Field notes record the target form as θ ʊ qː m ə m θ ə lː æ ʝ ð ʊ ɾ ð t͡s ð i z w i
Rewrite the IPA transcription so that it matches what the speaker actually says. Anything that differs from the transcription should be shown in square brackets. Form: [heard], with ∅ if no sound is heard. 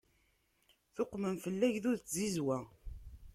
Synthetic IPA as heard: θ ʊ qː m ə m [f] ə lː æ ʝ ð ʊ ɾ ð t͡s [z] i z w [æ]